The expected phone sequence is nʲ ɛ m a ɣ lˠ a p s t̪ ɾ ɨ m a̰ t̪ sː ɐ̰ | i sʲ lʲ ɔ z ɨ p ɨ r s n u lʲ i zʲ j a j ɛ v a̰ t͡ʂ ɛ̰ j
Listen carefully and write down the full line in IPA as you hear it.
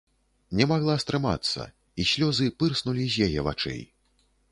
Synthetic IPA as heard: nʲ ɛ m a ɣ lˠ a s t̪ ɾ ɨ m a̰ t̪ sː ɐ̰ | i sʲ lʲ ɔ z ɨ p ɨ r s n u lʲ i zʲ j a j ɛ v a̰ t͡ʂ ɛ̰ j